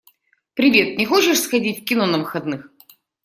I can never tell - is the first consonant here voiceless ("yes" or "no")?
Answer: yes